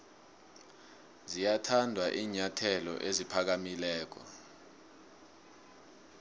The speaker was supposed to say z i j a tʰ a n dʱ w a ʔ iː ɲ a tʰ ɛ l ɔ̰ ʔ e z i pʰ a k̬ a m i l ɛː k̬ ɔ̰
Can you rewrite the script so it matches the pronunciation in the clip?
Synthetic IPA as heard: z i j a tʰ a n dʱ w a ʔ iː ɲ a tʰ ɛ l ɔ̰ ʔ e z i pʰ a k̬ a m i l ɛː k̬ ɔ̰